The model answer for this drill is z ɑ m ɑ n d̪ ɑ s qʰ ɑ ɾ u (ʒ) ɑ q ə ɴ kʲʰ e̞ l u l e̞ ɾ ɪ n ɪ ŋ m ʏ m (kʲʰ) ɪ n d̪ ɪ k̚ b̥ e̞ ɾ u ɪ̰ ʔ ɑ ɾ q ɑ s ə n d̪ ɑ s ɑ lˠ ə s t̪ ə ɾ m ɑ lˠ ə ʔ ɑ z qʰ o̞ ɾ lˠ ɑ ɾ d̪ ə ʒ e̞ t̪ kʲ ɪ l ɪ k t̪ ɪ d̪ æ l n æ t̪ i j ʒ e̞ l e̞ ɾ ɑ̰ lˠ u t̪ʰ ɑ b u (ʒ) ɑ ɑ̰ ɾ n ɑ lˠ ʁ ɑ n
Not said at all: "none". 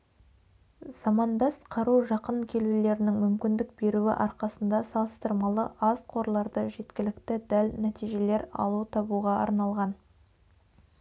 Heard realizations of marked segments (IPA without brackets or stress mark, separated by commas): ʒ, kʲ, ʁ